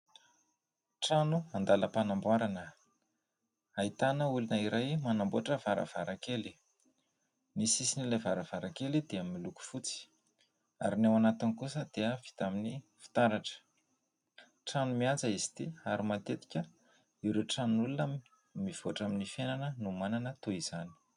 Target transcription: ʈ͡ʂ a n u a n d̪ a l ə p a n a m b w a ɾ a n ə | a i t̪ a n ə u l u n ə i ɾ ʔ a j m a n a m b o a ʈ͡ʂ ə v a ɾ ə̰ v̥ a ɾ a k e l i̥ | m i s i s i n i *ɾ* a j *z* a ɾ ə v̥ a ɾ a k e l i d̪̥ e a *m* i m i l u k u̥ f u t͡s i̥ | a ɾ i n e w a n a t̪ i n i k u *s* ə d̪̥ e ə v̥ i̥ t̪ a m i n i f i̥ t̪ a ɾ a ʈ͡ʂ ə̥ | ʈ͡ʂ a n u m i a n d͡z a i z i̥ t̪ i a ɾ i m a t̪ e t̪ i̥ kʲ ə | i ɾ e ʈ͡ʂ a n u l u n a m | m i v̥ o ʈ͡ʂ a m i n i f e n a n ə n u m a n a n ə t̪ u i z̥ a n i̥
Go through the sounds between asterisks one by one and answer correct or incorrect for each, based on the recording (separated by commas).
incorrect, incorrect, correct, correct